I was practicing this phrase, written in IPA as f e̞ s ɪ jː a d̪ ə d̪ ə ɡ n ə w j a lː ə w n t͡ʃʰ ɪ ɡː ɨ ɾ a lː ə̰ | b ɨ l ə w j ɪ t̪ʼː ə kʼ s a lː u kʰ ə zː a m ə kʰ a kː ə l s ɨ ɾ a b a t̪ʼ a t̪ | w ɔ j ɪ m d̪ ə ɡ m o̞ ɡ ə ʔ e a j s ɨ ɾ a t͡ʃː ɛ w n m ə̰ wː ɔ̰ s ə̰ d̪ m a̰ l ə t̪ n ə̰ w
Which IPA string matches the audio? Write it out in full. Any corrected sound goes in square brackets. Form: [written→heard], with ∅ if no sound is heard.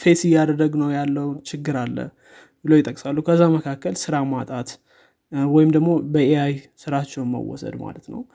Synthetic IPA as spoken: f e̞ s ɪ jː a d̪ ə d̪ ə ɡ n ə w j a lː ə w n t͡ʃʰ ɪ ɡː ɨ ɾ a lː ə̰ | b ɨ l ə w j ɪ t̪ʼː ə kʼ s a lː u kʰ ə zː a m ə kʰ a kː ə l s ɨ ɾ a [b→m] a t̪ʼ a t̪ | w ɔ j ɪ m d̪ ə ɡ m o̞ [ɡ→b] ə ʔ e a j s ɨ ɾ a t͡ʃː ɛ w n m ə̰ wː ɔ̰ s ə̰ d̪ m a̰ l ə t̪ n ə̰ w